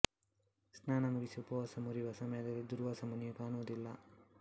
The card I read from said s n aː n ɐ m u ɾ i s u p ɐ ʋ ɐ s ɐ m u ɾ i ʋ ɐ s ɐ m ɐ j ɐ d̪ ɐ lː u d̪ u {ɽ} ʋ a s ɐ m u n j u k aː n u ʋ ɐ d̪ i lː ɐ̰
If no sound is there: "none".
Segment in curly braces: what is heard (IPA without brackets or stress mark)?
ɾ